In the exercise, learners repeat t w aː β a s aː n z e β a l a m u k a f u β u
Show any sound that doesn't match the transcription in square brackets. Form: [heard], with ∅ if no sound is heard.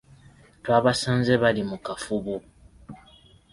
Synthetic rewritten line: t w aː β a s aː n z e β a l [i] m u k a f u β u